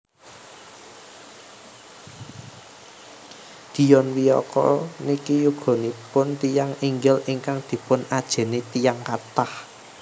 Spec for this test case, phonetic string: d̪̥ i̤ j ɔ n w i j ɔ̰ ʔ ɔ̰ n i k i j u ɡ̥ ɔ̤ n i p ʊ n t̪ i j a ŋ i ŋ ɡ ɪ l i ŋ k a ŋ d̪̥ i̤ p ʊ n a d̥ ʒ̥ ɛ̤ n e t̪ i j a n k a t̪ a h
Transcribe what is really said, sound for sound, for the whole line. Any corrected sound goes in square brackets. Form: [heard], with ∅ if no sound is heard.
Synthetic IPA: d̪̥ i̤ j ɔ n w i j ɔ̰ [k] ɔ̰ n i k i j u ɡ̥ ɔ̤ n i p ʊ n t̪ i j a ŋ i ŋ ɡ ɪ l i ŋ k a ŋ d̪̥ i̤ p ʊ n a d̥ ʒ̥ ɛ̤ n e t̪ i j a [ŋ] k a t̪ a h